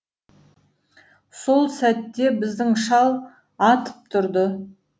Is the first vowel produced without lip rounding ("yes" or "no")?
no